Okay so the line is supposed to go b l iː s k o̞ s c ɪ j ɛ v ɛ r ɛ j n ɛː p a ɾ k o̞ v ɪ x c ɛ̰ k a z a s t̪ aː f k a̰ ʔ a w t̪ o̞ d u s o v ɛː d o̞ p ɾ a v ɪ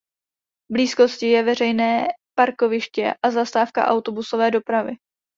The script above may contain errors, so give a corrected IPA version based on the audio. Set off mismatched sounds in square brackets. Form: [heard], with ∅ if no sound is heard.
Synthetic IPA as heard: b l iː s k o̞ s c ɪ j ɛ v ɛ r ɛ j n ɛː p a ɾ k o̞ v ɪ [ʃ] c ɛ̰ [ʔ] a z a s t̪ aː f k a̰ ʔ a w t̪ o̞ [b] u s o v ɛː d o̞ p ɾ a v ɪ